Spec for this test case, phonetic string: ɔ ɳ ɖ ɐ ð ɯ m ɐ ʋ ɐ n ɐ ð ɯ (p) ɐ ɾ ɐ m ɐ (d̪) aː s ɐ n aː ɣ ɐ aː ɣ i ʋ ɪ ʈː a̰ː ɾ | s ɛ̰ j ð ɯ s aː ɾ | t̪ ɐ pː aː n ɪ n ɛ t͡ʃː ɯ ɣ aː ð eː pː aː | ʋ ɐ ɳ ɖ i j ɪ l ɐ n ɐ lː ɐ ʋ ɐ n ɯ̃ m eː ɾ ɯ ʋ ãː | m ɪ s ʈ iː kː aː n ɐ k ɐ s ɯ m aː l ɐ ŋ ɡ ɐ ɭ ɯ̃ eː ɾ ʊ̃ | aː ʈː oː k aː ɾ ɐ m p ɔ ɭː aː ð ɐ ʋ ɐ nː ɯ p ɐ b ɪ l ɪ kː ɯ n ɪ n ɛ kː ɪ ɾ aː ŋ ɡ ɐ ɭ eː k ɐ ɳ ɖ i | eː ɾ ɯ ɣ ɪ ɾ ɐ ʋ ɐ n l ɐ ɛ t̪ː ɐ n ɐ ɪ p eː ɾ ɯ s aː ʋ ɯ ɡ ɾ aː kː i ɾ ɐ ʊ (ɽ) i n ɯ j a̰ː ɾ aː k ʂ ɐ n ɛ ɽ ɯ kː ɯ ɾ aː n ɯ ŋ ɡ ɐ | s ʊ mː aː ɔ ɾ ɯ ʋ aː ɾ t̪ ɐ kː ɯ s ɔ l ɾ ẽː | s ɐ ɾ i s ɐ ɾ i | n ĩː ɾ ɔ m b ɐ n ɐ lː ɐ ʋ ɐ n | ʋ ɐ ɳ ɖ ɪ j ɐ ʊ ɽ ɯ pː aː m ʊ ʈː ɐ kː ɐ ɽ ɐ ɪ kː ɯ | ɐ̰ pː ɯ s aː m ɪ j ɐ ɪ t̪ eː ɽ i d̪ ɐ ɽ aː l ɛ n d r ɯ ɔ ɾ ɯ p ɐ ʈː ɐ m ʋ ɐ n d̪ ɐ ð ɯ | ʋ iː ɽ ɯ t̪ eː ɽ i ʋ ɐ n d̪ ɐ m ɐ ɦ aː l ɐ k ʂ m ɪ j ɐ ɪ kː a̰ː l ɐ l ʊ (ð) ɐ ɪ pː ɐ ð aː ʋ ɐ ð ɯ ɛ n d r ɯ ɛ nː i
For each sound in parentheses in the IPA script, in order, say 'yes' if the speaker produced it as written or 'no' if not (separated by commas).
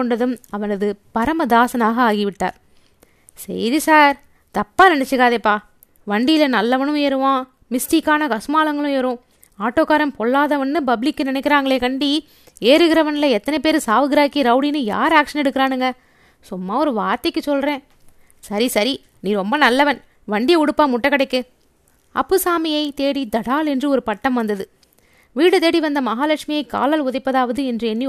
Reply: yes, yes, yes, yes